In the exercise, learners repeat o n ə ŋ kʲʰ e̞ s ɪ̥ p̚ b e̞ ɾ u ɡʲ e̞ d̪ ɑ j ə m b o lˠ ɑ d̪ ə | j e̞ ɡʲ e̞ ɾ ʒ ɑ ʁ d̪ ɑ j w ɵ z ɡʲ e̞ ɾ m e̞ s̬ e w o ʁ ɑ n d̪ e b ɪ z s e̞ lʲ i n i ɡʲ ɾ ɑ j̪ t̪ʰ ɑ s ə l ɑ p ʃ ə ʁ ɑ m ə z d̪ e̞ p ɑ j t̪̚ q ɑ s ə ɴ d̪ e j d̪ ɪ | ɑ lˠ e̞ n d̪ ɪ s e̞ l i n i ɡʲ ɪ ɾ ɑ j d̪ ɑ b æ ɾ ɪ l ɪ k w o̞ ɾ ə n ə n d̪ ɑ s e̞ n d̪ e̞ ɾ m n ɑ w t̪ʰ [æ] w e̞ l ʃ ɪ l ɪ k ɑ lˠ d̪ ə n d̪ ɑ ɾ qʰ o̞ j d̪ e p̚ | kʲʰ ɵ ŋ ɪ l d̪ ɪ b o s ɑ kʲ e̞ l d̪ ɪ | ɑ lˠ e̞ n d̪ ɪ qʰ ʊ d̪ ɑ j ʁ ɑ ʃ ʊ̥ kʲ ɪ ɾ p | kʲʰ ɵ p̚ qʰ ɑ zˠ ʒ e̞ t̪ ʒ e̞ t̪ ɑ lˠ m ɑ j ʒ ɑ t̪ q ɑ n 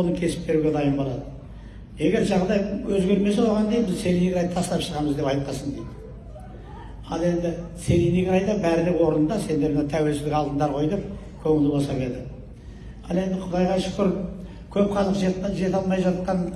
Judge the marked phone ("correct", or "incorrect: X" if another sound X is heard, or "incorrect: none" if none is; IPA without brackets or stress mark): correct